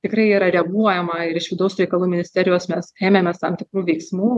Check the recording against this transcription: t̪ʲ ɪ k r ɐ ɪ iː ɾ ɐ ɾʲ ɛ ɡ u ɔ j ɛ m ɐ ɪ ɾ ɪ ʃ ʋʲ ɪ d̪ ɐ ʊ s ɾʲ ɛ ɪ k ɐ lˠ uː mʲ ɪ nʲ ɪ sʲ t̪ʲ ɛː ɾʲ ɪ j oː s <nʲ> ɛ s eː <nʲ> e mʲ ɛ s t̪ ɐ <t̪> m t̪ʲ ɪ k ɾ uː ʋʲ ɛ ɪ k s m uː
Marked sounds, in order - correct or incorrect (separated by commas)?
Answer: incorrect, incorrect, incorrect